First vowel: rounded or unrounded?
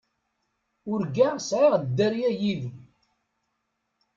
rounded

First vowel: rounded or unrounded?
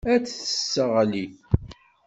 unrounded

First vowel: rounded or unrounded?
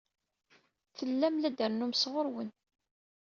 unrounded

